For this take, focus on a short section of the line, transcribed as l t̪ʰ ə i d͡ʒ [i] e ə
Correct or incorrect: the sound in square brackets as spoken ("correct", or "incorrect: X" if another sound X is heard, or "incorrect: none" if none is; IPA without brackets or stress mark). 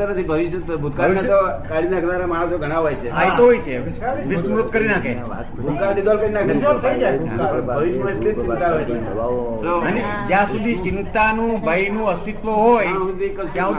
incorrect: a